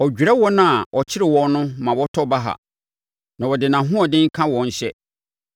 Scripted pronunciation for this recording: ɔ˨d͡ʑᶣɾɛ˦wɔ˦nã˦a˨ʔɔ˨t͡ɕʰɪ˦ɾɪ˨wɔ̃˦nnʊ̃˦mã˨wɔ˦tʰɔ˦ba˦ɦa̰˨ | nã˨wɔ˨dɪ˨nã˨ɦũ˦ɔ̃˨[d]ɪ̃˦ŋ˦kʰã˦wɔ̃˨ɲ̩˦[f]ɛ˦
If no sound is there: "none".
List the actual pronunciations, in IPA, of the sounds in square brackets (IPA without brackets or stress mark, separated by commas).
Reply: d, ɕ